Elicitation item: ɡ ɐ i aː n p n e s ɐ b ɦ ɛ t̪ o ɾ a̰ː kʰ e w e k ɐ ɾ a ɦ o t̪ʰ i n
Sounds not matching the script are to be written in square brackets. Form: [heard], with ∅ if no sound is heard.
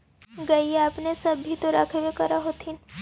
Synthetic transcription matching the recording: ɡ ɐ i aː [∅] p n e s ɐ b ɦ [i] t̪ o ɾ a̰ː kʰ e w e k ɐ ɾ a ɦ o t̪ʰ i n